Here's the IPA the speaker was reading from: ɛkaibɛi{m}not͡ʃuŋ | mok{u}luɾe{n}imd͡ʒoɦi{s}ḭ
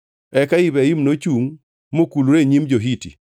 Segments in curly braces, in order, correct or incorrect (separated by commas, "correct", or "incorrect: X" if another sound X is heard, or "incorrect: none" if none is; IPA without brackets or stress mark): correct, correct, incorrect: ɲ, incorrect: t